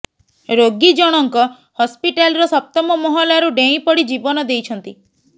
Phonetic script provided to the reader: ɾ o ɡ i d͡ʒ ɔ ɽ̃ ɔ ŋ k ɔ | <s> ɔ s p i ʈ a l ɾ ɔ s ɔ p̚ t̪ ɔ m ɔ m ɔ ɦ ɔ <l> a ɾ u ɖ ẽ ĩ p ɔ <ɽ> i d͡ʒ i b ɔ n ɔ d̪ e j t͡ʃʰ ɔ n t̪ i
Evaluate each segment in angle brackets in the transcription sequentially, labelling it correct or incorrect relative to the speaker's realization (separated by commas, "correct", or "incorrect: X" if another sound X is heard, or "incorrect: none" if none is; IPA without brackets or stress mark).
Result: incorrect: h, correct, correct